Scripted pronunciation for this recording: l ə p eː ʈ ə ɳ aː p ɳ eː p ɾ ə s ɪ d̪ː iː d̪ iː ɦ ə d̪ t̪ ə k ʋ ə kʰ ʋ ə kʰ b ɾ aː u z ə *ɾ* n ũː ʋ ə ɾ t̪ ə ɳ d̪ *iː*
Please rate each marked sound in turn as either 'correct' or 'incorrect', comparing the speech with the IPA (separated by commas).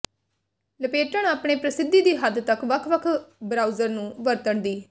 correct, correct